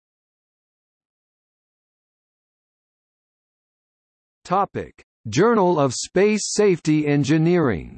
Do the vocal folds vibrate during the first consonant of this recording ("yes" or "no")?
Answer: no